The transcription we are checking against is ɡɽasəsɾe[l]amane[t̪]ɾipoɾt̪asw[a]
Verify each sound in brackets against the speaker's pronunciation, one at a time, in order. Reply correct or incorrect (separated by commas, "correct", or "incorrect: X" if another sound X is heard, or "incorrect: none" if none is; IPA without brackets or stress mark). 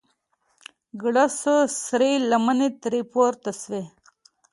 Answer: correct, correct, incorrect: e